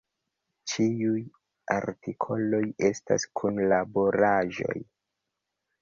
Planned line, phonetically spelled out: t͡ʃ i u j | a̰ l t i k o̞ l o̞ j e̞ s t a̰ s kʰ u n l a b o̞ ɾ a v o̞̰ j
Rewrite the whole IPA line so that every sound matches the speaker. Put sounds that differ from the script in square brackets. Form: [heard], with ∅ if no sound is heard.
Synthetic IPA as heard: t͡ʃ i u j | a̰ [ɾ] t i [kʰ] o̞ l o̞ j e̞ s t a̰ s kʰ u n l a b o̞ ɾ a [ʒ] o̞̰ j